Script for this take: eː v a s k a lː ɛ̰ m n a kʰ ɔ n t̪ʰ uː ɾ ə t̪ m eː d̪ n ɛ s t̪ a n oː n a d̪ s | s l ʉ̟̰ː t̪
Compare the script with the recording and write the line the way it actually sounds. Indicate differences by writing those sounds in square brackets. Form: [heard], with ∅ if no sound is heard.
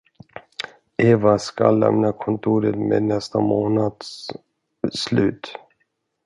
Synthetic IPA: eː v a s k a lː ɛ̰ m n a kʰ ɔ n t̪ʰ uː ɾ ə t̪ m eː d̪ n ɛ s t̪ a [m] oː n a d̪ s | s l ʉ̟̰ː t̪